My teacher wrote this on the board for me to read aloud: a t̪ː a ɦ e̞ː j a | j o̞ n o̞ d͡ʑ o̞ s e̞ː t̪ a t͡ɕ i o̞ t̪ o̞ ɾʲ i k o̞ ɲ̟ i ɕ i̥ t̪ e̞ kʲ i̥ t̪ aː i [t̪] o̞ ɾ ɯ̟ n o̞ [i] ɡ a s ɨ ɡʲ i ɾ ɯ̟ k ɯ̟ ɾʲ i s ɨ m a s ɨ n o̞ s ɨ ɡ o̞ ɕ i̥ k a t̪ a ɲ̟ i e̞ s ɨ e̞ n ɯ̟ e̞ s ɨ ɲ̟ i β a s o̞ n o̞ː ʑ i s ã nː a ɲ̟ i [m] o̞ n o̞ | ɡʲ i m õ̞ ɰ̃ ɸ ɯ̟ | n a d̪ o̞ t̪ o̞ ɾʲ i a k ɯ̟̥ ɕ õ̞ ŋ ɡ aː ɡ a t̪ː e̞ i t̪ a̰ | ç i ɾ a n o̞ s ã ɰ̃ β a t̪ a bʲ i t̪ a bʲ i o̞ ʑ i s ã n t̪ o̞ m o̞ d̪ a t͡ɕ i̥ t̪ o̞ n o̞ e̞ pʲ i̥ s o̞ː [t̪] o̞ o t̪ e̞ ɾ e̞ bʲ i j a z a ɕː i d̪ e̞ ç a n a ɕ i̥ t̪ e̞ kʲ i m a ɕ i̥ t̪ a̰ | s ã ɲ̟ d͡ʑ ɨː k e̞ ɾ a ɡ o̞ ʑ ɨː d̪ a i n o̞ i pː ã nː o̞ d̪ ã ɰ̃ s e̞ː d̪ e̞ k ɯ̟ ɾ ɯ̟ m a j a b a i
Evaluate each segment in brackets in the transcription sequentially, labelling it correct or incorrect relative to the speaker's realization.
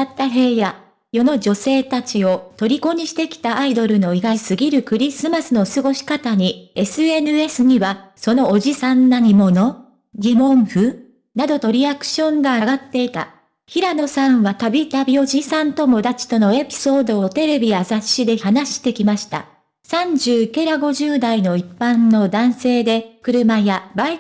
incorrect: d̪, correct, correct, incorrect: d̪

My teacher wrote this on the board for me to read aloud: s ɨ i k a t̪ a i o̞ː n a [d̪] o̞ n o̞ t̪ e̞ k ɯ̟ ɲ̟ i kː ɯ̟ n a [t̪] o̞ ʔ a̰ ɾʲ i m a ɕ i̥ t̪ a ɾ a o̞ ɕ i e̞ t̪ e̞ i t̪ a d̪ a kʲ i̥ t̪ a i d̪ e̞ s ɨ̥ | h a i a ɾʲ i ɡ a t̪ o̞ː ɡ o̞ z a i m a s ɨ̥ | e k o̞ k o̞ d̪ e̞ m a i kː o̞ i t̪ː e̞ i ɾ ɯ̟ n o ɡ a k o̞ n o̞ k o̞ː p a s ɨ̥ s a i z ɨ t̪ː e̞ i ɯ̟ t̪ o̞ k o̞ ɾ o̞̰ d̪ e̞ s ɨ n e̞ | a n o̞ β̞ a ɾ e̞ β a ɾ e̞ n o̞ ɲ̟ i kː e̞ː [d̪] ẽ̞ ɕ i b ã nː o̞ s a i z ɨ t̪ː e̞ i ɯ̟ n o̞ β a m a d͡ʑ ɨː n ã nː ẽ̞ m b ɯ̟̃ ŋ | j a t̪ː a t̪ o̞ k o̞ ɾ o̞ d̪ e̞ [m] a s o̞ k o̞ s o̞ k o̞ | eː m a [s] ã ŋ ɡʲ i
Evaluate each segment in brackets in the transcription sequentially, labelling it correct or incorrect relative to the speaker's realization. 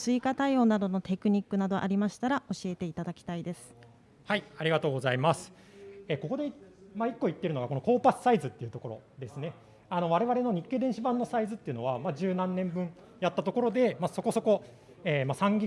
correct, incorrect: d̪, correct, correct, correct

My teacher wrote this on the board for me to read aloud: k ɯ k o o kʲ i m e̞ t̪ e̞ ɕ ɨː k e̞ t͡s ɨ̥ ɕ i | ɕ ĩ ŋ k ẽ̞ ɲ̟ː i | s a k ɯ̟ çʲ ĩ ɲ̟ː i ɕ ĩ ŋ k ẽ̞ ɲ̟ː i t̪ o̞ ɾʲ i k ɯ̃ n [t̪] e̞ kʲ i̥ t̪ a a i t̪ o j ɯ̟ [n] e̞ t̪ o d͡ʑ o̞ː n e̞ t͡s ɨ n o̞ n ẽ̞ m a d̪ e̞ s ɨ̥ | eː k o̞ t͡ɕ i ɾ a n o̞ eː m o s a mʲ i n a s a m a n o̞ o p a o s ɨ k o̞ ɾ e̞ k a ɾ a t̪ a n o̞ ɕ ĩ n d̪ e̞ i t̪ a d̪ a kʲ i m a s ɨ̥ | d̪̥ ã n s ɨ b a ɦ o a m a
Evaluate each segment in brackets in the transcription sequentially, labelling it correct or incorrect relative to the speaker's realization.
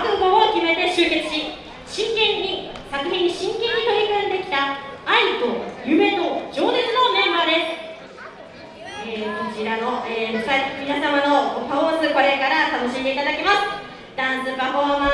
incorrect: d̪, incorrect: m

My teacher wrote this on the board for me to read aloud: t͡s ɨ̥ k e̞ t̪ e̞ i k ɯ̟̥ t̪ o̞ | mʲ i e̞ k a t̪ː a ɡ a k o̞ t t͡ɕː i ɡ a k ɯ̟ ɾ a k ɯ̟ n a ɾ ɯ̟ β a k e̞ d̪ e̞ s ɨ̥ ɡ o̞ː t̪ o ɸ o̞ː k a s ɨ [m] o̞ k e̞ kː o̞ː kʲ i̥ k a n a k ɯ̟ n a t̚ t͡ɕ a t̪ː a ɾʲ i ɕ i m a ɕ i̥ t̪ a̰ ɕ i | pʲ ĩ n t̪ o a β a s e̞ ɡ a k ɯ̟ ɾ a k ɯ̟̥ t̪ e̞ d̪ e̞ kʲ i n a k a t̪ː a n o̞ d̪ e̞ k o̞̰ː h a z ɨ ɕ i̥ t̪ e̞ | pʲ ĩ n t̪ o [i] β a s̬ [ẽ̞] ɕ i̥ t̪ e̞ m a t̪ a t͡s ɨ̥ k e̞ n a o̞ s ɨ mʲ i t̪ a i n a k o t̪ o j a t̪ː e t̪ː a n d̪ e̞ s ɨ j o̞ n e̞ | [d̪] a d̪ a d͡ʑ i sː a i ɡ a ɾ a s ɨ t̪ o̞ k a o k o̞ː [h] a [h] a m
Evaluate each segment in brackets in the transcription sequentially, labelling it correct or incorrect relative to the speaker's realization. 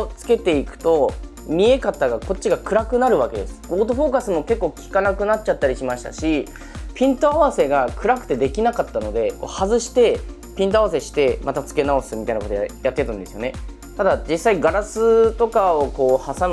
correct, incorrect: a, incorrect: e̞, incorrect: t̪, correct, incorrect: s

